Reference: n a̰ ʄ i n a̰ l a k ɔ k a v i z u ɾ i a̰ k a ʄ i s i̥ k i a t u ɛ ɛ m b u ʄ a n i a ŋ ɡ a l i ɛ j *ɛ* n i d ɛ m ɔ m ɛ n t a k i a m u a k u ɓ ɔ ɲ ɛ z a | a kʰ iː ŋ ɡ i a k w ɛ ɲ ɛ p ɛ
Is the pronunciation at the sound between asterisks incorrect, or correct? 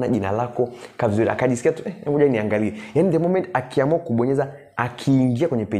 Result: incorrect